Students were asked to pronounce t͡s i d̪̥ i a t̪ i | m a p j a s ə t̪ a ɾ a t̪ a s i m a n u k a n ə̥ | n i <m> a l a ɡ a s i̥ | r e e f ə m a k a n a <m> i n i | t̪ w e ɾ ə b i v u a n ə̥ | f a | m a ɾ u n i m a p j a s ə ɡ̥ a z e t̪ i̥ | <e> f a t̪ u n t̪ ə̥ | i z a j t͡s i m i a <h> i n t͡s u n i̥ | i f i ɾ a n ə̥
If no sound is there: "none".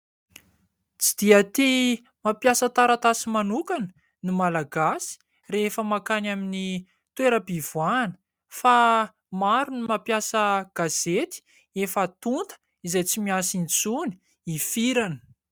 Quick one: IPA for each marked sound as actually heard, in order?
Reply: m, m, e, s

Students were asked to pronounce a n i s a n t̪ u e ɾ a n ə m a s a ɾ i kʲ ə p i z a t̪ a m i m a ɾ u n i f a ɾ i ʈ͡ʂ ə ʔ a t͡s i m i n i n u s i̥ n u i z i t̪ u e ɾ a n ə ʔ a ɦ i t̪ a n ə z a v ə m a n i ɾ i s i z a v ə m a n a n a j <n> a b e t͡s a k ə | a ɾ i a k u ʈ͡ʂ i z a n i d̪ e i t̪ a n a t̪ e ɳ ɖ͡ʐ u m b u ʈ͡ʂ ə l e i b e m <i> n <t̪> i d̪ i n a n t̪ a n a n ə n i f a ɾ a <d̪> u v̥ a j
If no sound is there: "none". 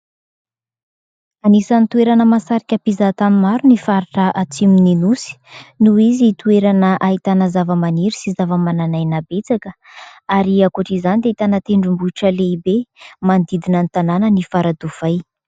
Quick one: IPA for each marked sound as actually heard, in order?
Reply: n, a, d̪, d̪

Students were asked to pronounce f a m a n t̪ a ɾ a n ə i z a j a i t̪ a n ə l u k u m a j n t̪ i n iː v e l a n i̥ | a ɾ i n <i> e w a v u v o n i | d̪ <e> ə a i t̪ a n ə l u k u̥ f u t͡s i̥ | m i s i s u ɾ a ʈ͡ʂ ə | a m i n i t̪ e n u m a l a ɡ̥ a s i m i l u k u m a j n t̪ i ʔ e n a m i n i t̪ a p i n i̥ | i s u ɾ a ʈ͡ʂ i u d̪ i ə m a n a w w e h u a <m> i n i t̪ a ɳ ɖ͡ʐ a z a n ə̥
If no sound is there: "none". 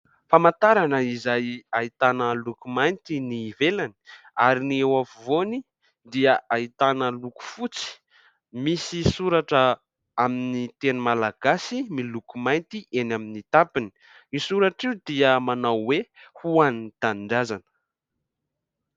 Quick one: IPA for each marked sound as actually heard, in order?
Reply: i, i, n

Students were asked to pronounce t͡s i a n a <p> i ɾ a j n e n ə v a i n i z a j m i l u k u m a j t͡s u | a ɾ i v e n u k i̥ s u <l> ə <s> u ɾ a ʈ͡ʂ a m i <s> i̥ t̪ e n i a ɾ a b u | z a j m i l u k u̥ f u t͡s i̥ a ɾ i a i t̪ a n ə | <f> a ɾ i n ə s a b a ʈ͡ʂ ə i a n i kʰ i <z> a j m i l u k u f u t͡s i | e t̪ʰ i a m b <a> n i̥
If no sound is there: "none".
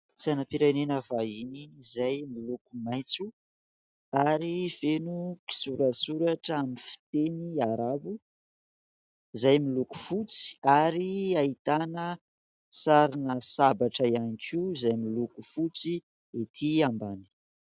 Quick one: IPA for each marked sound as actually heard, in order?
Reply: p, ɾ, s, f, s, z, a

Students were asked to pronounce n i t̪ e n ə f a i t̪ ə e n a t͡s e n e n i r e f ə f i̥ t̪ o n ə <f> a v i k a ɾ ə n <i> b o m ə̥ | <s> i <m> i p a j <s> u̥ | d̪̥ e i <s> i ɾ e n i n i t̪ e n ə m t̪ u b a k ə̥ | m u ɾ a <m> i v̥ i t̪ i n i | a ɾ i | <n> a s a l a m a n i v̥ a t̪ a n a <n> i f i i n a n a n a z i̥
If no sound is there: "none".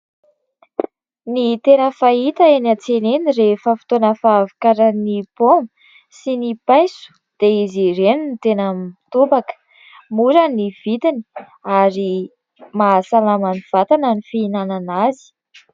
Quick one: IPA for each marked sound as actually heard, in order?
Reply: f, i, s, n, s, z, n, m, n

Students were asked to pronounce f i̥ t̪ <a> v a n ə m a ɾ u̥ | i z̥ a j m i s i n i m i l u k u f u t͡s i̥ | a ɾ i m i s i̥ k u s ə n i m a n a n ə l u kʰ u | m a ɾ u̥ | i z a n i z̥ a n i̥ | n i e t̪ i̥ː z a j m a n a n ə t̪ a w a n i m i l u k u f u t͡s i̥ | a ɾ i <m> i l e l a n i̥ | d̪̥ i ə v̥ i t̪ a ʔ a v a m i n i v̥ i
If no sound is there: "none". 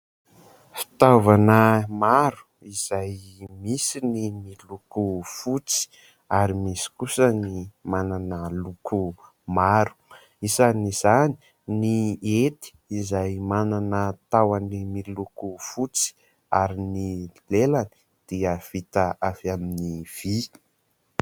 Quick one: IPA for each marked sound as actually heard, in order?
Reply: a, n

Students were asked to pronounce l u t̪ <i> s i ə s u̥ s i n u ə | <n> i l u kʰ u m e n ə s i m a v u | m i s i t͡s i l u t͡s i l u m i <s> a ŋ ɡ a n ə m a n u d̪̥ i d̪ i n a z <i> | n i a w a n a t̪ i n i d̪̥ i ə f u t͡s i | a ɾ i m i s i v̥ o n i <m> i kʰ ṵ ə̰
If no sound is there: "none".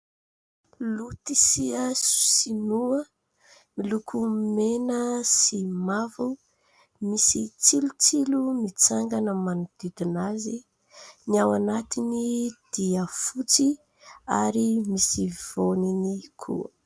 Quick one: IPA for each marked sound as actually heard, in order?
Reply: i, m, t͡s, i, n

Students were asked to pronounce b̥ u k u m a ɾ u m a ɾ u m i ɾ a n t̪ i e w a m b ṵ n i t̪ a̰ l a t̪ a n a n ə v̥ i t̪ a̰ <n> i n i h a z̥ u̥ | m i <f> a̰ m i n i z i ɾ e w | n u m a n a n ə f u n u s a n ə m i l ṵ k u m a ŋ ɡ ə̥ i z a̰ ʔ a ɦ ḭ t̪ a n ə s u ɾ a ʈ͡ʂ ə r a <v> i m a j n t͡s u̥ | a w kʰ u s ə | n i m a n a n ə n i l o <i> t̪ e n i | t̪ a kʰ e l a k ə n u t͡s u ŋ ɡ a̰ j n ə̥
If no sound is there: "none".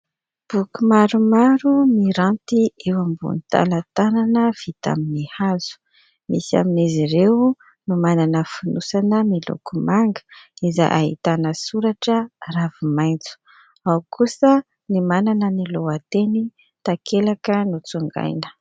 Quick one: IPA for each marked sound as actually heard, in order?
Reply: m, s, v, a

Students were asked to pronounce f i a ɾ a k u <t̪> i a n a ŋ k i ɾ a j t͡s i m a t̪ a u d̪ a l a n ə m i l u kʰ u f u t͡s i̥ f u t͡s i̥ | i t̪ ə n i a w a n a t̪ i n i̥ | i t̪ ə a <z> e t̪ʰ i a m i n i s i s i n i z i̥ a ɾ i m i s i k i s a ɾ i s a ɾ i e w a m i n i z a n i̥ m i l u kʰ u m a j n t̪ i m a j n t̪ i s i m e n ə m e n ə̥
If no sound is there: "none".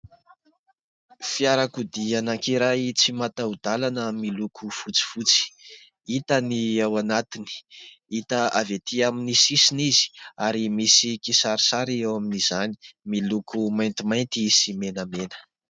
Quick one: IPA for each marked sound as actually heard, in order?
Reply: d̪, v

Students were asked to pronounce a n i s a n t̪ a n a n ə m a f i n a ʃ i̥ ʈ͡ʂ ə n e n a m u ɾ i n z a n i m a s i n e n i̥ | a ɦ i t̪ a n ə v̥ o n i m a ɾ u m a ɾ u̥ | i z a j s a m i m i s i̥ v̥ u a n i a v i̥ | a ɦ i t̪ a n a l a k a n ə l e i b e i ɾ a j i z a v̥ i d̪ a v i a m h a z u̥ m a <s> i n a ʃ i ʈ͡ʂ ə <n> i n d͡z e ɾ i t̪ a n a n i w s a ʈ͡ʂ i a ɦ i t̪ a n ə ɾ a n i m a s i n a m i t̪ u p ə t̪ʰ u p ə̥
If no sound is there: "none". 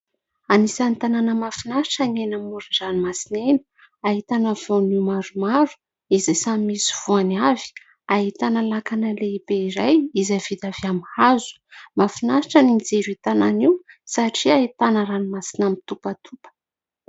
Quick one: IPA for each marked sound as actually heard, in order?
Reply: f, n

